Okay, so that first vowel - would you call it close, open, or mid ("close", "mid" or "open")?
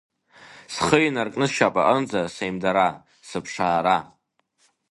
mid